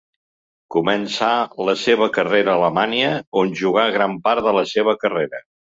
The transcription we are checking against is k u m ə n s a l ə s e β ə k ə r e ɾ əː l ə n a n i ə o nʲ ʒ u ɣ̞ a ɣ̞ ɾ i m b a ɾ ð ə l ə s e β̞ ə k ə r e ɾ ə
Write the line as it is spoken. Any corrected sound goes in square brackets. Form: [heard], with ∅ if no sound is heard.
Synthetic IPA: k u m ə n s a l ə s e β ə k ə r e ɾ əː l ə [m] a n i ə o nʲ ʒ u ɣ̞ a ɣ̞ ɾ [a] m [p] a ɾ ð ə l ə s e β̞ ə k ə r e ɾ ə